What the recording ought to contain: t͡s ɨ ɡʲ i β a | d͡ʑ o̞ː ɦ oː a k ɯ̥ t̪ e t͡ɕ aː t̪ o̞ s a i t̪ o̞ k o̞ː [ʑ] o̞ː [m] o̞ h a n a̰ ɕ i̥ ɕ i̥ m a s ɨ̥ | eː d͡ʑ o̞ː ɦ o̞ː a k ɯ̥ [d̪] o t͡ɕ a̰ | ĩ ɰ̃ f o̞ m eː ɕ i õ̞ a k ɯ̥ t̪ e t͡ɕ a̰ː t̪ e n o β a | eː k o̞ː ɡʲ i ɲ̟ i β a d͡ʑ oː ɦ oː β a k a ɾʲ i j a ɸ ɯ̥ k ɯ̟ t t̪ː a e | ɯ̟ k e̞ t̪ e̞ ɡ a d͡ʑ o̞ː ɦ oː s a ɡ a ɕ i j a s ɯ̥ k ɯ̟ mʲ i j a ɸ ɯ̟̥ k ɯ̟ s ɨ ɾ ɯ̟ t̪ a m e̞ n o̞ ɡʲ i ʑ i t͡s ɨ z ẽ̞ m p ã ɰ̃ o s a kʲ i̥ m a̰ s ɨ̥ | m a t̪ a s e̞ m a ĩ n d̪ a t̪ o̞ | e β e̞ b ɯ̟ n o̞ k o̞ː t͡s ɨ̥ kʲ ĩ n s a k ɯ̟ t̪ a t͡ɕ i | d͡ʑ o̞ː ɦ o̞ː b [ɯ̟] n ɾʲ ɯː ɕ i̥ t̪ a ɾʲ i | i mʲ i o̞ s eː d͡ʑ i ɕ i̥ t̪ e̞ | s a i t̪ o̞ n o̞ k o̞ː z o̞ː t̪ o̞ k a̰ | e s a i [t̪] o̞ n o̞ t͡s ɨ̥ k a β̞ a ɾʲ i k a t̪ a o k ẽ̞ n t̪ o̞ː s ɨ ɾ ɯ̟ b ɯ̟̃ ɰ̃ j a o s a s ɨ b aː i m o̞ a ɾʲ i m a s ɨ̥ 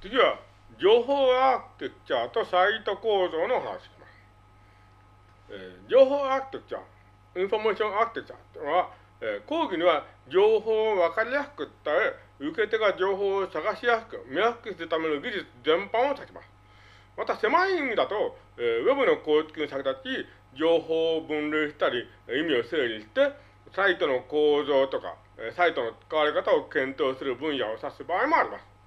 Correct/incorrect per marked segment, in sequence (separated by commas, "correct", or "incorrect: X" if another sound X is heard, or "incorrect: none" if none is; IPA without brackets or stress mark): incorrect: z, incorrect: n, incorrect: t̪, incorrect: ɯ̟̃, correct